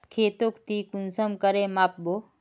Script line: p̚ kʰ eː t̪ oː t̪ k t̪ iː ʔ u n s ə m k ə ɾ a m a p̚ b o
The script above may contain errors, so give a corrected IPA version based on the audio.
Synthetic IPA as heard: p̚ kʰ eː t̪ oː k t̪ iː k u n s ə m k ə ɾ e m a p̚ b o